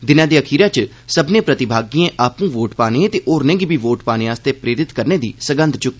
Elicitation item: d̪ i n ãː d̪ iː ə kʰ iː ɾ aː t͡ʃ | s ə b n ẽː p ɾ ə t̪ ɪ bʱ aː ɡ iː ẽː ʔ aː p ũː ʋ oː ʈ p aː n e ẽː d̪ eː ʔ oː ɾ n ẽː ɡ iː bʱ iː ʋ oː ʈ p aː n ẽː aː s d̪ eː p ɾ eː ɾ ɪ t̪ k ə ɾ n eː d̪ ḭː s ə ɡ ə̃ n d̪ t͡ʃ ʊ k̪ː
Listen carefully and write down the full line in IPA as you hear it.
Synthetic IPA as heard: d̪ ɪ n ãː d̪ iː ə kʰ iː ɾ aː t͡ʃ | s ə b n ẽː p ɾ ə t̪ ɪ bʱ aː ɡ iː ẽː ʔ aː p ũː ʋ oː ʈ p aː n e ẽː t̪ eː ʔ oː ɾ n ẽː ɡ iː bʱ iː ʋ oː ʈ p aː n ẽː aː s t̪ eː p ɾ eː ɾ ɪ t̪ k ə ɾ n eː d̪ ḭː s ə ɡ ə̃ n d̪ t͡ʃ ʊ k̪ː